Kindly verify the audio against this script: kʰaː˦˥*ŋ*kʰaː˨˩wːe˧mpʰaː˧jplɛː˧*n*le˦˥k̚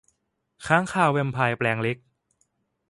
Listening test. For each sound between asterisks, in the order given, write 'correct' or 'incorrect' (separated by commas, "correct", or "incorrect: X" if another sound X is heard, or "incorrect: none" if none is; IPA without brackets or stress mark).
correct, incorrect: ŋ